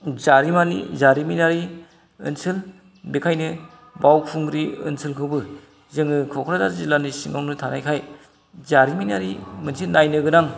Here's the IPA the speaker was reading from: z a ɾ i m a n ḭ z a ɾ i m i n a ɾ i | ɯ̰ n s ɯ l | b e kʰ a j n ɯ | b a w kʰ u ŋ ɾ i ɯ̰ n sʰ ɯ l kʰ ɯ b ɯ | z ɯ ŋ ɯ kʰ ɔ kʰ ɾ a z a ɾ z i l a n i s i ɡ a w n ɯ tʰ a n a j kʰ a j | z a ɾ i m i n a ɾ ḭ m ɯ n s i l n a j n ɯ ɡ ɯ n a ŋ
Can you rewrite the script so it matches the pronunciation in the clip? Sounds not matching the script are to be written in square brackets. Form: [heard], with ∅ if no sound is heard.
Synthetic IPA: z a ɾ i m a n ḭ z a ɾ i m i n a ɾ i | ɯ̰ n s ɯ l | b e kʰ a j n ɯ | b a w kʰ u ŋ ɾ i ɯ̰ n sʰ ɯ l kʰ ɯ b ɯ | z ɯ ŋ ɯ kʰ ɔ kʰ ɾ a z a ɾ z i l a n i s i [ŋ] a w n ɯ tʰ a n a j kʰ a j | z a ɾ i m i n a ɾ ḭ m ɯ n s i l n a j n ɯ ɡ ɯ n a ŋ

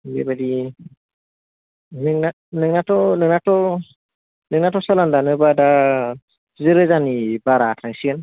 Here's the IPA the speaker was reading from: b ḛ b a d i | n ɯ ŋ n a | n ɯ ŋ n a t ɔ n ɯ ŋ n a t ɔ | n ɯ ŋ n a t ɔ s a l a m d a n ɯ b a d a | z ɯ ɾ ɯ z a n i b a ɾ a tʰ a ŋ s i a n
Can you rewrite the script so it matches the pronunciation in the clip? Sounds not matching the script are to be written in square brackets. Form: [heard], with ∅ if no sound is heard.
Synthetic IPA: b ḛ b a d i | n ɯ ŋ n a | n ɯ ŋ n a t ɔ n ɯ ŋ n a t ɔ | n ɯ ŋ n a t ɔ s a l a [n] d a n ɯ b a d a | z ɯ ɾ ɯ z a n i b a ɾ a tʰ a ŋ s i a n

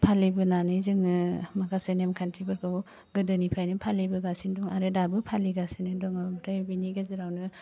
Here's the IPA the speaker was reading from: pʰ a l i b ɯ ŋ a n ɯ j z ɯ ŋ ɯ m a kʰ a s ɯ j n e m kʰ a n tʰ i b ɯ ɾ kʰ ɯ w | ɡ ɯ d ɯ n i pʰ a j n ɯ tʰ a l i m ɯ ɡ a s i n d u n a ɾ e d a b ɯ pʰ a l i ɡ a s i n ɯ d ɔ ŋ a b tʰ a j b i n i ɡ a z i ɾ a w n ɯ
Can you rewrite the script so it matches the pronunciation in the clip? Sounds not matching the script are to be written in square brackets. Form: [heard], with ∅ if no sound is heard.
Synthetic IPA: pʰ a l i b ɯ [n] a n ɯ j z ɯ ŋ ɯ m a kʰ a s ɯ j n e m kʰ a n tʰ i b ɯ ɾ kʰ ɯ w | ɡ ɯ d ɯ n i pʰ a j n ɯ [pʰ] a l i [b] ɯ ɡ a s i n d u [ŋ] a ɾ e d a b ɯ pʰ a l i ɡ a s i n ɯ d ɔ ŋ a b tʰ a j b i n i ɡ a z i ɾ a w n ɯ

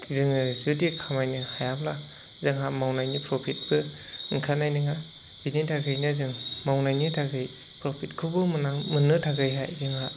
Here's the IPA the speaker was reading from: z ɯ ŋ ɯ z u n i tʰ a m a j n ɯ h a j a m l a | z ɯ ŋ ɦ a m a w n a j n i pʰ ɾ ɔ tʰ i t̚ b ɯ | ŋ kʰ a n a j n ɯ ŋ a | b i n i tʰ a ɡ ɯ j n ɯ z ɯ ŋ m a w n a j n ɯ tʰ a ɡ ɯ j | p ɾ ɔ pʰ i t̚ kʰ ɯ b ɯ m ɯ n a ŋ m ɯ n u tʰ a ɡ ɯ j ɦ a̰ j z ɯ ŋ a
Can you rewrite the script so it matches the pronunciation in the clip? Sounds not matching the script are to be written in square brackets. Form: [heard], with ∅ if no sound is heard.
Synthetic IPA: z ɯ ŋ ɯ z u [d] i [kʰ] a m a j n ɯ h a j a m l a | z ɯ ŋ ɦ a m a w n a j n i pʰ ɾ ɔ [pʰ] i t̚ b ɯ | ŋ kʰ a n a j n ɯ ŋ a | b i n i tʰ a ɡ ɯ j n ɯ z ɯ ŋ m a w n a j n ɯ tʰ a ɡ ɯ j | p ɾ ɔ pʰ i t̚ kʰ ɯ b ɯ m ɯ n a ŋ m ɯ n [ɯ] tʰ a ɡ ɯ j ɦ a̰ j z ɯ ŋ a

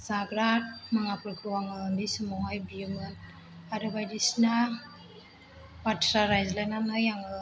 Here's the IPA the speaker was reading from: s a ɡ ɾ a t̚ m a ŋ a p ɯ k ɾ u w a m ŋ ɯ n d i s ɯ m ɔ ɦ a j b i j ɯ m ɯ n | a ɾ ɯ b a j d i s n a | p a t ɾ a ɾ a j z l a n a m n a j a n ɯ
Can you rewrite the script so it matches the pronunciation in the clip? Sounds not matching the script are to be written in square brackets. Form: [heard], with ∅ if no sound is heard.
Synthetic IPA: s a ɡ ɾ a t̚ m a ŋ a p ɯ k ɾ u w a [∅] ŋ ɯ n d i s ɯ m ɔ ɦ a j b i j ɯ m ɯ n | a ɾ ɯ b a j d i s n a | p a t ɾ a ɾ a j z l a n a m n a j a [ŋ] ɯ

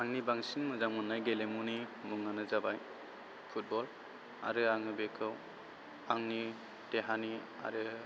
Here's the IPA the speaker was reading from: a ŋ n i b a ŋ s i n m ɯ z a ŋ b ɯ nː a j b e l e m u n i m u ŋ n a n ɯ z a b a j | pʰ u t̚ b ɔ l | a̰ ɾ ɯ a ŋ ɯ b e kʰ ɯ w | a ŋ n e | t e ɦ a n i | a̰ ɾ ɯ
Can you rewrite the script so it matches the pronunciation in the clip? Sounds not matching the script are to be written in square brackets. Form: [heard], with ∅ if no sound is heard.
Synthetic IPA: a ŋ n i b a ŋ s i n m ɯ z a ŋ [m] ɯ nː a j [ɡ] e l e m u n i m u ŋ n a n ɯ z a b a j | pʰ u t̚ b ɔ l | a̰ ɾ ɯ a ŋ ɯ b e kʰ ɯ w | a ŋ n [i] | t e ɦ a n i | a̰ ɾ ɯ

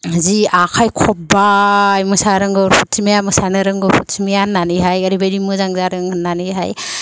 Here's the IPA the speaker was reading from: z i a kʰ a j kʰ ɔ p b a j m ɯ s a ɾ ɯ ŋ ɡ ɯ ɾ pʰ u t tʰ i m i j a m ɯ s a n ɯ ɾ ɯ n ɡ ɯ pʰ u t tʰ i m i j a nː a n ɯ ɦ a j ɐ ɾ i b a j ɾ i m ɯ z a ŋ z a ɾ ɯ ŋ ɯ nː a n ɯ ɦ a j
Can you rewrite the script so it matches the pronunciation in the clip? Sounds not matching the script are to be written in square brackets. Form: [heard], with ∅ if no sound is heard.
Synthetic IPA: z i a kʰ a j kʰ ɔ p b a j m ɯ s a ɾ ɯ ŋ ɡ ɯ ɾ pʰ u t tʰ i m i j a m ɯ s a n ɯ ɾ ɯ [ŋ] ɡ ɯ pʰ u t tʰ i m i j a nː a n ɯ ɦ a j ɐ ɾ i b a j ɾ i m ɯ z a ŋ z a ɾ ɯ ŋ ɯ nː a n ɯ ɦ a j

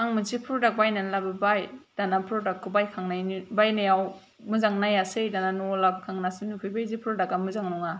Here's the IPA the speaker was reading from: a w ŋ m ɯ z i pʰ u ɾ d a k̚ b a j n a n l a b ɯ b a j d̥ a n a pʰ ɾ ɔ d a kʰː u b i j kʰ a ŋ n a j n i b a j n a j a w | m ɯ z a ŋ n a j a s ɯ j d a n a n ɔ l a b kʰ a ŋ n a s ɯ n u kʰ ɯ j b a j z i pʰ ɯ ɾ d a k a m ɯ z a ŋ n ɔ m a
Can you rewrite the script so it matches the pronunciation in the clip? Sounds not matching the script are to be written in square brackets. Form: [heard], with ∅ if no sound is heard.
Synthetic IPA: a [∅] ŋ m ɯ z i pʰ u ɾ d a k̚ b a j n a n l a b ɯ b a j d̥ a n a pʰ ɾ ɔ d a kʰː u b [a] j kʰ a ŋ n a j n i b a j n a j a w | m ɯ z a ŋ n a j a s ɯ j d a n a n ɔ l a b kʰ a ŋ n a s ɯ n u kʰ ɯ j b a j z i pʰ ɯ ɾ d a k a m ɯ z a ŋ n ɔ [ŋ] a

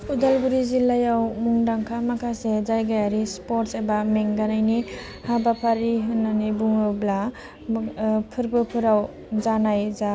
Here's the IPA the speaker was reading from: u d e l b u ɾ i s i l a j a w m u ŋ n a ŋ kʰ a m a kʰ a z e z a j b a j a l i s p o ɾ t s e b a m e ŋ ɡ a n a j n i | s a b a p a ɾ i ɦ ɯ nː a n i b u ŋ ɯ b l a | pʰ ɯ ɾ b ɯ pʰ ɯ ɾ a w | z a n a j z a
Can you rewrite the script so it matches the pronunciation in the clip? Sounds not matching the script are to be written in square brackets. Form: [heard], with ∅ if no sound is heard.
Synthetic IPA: u d [a] l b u ɾ i [z] i l a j a w m u ŋ [d] a ŋ kʰ a m a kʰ a [s] e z a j [ɡ] a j a [ɾ] i s p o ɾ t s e b a m e ŋ ɡ a n a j n i | [h] a b a [pʰ] a ɾ i ɦ ɯ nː a n i b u ŋ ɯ b l a | pʰ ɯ ɾ b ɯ pʰ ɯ ɾ a w | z a n a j z a

